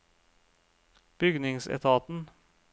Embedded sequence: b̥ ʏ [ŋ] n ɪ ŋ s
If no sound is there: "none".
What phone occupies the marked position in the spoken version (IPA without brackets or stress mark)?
ɡ